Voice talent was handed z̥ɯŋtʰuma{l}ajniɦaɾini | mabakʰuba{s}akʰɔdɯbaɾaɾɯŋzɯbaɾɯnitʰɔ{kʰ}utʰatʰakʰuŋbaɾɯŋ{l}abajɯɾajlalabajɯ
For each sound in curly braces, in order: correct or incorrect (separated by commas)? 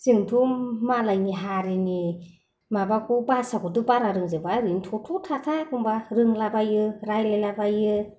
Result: correct, correct, incorrect, correct